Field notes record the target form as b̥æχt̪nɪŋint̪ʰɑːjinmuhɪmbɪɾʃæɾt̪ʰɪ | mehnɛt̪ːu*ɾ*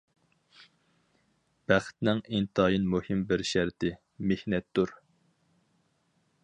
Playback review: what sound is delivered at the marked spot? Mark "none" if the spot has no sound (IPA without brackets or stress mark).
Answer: ɾ